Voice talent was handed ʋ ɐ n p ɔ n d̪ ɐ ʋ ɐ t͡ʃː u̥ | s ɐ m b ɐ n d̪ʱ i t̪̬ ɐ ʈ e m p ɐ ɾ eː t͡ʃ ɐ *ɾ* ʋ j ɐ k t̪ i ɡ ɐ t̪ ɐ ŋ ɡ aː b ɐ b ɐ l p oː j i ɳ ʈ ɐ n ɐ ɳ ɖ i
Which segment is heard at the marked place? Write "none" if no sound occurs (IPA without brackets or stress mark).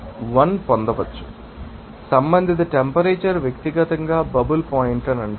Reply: ɾ